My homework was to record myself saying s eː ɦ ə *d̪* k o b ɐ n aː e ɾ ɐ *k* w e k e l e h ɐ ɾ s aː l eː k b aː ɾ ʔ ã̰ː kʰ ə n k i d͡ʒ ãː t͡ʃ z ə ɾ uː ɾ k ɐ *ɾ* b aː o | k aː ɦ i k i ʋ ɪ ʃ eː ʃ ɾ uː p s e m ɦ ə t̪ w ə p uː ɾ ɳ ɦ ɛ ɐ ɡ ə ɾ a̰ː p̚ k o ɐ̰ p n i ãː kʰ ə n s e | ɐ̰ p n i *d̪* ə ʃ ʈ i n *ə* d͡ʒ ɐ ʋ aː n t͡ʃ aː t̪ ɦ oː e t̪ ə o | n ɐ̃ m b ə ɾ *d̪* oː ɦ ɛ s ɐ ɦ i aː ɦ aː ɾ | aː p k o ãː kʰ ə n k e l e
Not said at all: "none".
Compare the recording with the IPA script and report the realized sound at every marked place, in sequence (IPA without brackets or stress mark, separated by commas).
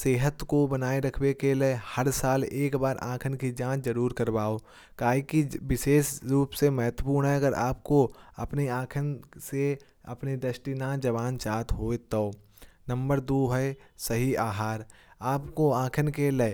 t̪, kʰ, ɾ, d̪, a, d̪